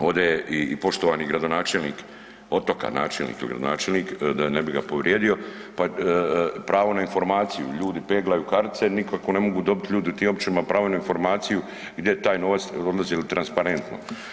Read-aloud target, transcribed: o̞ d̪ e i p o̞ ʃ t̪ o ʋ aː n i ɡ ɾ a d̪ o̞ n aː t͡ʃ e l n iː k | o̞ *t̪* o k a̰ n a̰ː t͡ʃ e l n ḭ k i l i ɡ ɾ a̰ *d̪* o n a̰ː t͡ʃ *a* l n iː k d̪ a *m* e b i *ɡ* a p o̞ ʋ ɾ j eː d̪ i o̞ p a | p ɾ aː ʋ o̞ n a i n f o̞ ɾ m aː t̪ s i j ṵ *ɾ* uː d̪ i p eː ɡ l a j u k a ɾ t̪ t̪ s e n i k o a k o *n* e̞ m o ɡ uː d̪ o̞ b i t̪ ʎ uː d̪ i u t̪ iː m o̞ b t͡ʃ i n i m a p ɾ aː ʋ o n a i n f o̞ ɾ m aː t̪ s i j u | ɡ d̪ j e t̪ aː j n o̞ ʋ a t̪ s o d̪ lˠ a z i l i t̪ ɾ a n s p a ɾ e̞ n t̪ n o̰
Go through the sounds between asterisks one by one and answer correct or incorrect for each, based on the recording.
correct, correct, incorrect, incorrect, correct, incorrect, correct

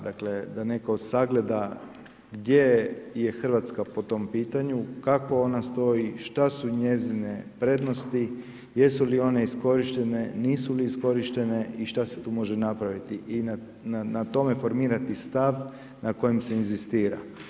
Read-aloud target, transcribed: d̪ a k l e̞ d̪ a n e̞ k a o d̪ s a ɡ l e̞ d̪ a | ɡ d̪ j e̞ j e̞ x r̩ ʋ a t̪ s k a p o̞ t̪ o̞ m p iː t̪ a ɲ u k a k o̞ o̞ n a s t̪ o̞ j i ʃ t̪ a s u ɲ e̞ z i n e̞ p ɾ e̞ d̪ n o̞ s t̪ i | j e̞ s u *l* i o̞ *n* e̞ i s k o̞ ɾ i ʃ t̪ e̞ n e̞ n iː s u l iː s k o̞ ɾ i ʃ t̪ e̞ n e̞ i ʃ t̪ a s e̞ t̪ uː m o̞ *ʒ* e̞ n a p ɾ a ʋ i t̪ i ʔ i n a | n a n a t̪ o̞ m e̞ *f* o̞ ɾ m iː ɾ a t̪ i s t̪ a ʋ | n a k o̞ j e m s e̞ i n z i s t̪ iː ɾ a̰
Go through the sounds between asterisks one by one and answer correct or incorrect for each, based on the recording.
correct, correct, correct, correct

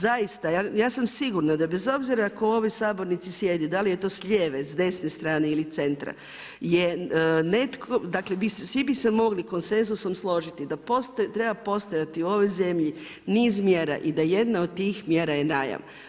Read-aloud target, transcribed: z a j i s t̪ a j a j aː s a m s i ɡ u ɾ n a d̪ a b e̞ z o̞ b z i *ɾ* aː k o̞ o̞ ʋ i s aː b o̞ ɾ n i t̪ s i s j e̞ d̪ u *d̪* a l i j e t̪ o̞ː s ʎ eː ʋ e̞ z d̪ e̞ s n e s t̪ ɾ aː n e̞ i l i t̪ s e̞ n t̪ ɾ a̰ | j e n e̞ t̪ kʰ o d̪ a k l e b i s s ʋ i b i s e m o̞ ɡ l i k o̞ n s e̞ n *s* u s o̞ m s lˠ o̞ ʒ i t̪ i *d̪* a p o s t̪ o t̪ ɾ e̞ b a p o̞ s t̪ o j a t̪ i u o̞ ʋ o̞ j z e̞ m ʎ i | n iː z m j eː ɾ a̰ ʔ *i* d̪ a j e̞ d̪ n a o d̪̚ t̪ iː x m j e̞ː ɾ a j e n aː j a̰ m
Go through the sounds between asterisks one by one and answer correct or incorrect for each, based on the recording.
correct, correct, incorrect, correct, correct

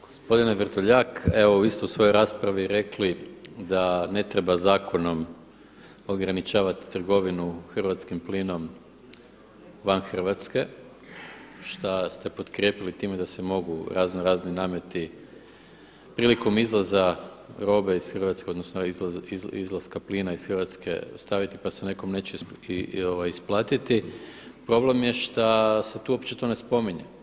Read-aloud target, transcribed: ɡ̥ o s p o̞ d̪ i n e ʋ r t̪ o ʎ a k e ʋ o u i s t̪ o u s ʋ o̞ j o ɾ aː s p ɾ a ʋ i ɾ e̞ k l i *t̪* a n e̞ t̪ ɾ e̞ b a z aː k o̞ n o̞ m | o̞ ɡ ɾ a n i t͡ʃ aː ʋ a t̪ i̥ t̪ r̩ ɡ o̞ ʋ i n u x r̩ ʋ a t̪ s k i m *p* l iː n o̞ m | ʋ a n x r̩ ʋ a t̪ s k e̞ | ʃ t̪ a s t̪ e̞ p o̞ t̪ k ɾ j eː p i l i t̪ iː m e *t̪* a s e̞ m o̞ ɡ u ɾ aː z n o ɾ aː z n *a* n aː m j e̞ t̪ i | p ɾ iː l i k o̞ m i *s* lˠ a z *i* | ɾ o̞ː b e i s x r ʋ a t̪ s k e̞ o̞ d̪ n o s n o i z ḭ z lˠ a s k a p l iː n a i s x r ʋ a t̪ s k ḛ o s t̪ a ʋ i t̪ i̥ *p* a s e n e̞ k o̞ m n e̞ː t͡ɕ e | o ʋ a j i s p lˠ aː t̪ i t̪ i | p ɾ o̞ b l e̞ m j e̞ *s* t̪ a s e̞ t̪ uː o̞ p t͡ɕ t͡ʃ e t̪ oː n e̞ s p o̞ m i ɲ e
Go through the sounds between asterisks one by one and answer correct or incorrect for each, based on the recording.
incorrect, correct, incorrect, incorrect, incorrect, incorrect, correct, incorrect

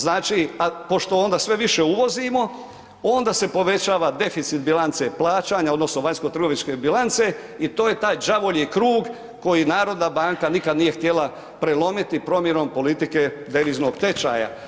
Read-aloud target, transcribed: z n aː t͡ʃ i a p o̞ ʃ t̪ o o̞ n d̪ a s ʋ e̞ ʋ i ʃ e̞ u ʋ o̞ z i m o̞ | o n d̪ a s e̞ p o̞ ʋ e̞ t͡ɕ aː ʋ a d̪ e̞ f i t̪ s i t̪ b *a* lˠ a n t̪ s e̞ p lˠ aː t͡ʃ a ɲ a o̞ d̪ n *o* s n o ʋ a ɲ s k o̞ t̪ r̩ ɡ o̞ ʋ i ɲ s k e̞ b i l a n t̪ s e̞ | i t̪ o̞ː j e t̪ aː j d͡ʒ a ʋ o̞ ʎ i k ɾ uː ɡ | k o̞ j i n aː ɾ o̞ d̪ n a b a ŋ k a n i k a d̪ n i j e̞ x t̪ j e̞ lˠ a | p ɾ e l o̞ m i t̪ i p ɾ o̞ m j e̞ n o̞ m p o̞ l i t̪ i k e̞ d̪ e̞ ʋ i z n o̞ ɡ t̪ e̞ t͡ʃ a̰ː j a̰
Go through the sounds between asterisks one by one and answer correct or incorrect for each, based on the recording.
incorrect, correct

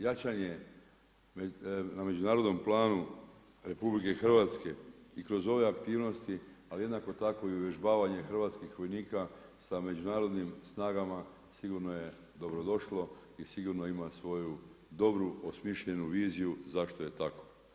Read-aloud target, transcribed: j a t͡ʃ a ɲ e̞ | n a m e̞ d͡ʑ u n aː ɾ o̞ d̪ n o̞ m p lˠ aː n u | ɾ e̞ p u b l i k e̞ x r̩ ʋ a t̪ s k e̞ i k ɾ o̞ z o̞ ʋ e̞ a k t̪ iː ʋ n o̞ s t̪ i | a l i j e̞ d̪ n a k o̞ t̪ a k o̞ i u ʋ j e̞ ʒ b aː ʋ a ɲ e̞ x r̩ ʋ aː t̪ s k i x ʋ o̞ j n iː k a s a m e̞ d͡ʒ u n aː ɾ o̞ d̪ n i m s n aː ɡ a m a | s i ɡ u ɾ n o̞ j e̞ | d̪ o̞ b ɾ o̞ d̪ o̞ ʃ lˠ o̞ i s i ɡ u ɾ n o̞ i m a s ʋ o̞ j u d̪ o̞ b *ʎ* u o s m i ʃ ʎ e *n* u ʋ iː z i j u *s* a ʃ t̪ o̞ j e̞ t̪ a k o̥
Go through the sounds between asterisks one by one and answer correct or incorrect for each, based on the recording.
incorrect, correct, incorrect

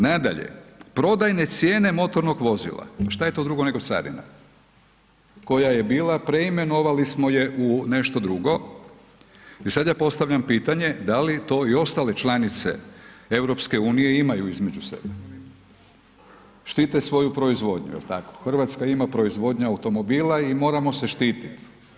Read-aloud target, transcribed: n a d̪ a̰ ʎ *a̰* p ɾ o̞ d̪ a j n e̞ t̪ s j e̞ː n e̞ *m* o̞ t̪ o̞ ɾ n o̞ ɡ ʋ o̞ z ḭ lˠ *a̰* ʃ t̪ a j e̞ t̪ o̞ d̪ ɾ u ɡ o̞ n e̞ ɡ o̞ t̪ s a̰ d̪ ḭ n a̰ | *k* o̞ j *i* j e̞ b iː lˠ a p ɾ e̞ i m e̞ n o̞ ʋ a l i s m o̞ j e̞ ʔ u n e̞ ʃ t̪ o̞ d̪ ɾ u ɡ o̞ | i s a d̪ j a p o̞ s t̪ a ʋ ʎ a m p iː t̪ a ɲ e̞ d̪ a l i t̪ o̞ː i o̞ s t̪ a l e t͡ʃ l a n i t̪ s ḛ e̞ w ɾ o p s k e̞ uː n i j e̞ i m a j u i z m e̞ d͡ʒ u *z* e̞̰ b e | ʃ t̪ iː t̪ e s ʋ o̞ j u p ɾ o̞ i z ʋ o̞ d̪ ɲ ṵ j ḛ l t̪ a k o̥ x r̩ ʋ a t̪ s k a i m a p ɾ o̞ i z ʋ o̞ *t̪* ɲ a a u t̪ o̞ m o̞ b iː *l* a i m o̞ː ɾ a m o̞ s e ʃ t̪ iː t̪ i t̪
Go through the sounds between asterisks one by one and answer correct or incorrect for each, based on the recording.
incorrect, correct, correct, correct, incorrect, incorrect, incorrect, correct

